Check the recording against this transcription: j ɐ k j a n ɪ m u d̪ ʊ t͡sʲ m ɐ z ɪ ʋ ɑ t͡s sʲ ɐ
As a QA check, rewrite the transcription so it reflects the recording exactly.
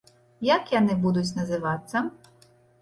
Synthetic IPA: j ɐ k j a n ɪ b u d̪ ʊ t͡sʲ n ɐ z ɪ ʋ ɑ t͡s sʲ ɐ